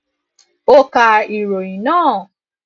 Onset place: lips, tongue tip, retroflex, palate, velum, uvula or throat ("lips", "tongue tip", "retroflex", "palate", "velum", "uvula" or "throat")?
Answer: velum